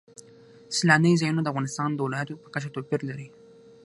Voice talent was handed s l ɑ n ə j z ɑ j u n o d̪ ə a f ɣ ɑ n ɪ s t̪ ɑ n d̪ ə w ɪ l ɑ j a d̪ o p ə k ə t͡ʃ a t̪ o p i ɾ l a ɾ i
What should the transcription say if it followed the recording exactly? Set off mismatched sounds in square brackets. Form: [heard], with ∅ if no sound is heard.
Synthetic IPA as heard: s l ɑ n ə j z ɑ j u n o d̪ ə a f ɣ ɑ n ɪ s t̪ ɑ n d̪ ə w ɪ l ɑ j a [t̪] o p ə k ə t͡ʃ a t̪ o p i ɾ l a ɾ i

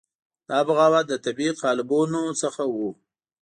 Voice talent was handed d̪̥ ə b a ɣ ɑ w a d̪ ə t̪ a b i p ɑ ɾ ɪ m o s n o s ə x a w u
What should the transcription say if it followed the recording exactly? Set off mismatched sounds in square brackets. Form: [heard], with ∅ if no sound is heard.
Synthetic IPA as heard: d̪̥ [ɑ] b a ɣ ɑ w a d̪ ə t̪ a b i [q] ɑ [l] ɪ [b] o [∅] n o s ə x a w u

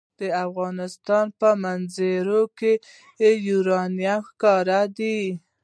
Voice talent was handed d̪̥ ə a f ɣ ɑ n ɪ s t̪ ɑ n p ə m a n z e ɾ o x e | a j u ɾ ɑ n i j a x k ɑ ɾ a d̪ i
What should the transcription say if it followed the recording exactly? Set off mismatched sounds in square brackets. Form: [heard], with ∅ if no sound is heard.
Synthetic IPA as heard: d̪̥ ə a f ɣ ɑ n ɪ s t̪ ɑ n p ə m a n z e ɾ o [k] e | [e] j u ɾ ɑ n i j a x k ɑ ɾ a d̪ i

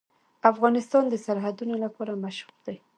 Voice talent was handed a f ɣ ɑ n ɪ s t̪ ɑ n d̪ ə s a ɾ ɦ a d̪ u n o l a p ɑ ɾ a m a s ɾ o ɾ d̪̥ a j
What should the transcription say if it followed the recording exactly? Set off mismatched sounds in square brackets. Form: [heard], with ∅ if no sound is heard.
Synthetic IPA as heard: a f ɣ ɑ n ɪ s t̪ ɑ n d̪ ə s a ɾ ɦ a d̪ u n o l a p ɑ ɾ a m a [ʃ] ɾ [u] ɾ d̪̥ a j

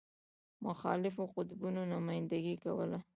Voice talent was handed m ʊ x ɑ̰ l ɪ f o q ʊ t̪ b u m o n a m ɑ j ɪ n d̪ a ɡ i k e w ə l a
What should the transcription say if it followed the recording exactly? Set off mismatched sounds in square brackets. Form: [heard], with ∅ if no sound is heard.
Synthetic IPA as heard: m ʊ x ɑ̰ l ɪ f o q ʊ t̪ b u [n] o n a m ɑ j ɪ n d̪ a ɡ i k [a] w ə l a

